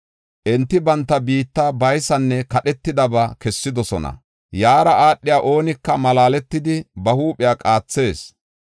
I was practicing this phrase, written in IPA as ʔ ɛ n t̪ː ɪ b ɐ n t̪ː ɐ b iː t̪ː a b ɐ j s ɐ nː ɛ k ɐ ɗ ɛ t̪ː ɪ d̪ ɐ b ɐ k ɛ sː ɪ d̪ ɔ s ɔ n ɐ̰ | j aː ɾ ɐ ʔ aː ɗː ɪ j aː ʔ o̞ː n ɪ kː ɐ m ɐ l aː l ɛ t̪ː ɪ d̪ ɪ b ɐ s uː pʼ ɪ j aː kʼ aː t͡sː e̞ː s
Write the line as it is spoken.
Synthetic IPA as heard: ʔ ɛ n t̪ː ɪ b ɐ n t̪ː ɐ b iː t̪ː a b ɐ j s ɐ nː ɛ k ɐ ɗ ɛ t̪ː ɪ d̪ ɐ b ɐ k ɛ sː ɪ d̪ ɔ s ɔ n ɐ̰ | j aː ɾ ɐ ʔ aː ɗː ɪ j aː ʔ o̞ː n ɪ kː ɐ m ɐ l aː l ɛ t̪ː ɪ d̪ ɪ b ɐ h uː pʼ ɪ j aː kʼ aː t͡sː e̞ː s